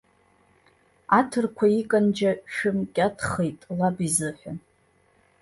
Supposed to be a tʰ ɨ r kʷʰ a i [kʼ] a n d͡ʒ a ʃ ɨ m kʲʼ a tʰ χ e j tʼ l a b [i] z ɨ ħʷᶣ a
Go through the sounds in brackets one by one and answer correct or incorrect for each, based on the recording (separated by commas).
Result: correct, correct